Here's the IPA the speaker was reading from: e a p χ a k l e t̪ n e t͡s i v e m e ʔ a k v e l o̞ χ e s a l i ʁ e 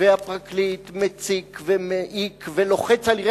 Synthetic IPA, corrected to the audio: e a p ʁ a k l i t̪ m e t͡s i v e m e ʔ i k v e l o̞ χ e t͡s a l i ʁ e